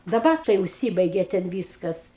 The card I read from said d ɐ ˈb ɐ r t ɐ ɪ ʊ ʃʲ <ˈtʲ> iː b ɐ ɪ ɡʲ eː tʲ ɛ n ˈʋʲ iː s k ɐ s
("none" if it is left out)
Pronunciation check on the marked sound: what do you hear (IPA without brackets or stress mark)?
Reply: sʲ